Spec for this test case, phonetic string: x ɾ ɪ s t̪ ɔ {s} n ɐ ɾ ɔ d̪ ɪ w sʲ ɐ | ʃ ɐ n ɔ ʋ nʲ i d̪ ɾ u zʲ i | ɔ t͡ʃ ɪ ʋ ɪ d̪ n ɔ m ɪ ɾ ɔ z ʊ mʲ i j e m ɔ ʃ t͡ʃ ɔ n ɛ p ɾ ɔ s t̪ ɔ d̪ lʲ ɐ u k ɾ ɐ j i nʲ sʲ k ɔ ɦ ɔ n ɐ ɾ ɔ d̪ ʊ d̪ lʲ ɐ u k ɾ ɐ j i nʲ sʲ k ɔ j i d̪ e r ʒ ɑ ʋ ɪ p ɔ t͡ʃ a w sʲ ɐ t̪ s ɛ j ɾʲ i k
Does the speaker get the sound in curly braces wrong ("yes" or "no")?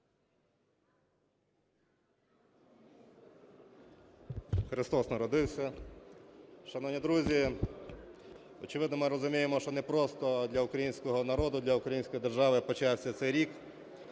no